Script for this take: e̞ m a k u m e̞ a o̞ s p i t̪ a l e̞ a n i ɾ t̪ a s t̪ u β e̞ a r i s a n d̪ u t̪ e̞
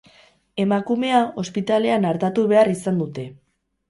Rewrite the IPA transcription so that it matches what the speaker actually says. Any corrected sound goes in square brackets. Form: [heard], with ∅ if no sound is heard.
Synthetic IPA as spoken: e̞ m a k u m e̞ a o̞ s p i t̪ a l e̞ a n [a] ɾ t̪ a [∅] t̪ u β e̞ a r i s a n d̪ u t̪ e̞